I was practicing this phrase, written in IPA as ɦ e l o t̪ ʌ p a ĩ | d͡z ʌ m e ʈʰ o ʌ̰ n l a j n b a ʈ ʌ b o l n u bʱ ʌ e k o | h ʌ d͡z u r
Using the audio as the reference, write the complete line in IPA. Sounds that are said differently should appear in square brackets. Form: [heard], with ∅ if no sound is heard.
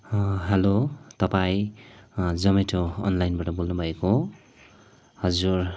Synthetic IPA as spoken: ɦ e l o t̪ ʌ p a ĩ | d͡z ʌ m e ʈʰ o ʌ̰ n l a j n b a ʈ ʌ b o l n u bʱ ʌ e k o | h ʌ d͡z u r

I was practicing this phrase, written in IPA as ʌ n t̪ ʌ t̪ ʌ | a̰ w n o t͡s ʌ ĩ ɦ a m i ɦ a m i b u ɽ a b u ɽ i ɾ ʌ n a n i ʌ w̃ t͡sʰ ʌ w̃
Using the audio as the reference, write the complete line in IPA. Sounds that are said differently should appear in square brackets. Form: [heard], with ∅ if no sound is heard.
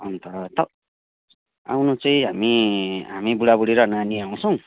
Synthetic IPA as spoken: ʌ n t̪ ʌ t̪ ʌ | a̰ w n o t͡s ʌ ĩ ɦ a m i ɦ a m i b u ɽ a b u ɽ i ɾ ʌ n a n i [a] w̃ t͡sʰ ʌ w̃

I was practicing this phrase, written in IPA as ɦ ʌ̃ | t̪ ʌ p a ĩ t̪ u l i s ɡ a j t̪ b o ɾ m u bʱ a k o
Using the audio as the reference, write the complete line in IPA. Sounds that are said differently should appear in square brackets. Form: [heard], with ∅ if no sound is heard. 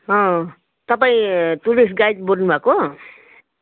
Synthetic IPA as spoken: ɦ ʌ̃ | t̪ ʌ p a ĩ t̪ u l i s ɡ a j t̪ b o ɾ [n] u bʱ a k o

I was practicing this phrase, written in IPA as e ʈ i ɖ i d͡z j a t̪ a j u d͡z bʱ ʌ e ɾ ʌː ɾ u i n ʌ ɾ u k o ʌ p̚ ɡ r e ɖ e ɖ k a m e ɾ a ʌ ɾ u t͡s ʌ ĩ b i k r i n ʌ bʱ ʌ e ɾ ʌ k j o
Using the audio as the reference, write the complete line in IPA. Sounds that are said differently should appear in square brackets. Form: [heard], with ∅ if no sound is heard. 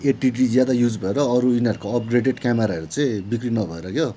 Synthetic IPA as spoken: e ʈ i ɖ i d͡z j a [d̪] a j u d͡z bʱ ʌ e ɾ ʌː ɾ u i n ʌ ɾ u k o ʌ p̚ ɡ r e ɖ e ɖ k a m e ɾ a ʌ ɾ u t͡s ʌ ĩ b i k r i n ʌ bʱ ʌ e ɾ ʌ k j o

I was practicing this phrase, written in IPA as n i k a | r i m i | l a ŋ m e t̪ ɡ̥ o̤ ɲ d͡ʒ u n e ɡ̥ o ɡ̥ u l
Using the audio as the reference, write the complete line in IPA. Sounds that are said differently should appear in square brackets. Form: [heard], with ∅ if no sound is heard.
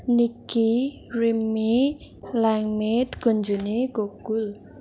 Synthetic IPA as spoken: n i k [i] | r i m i | l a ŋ m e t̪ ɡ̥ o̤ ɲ d͡ʒ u n e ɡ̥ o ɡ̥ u l

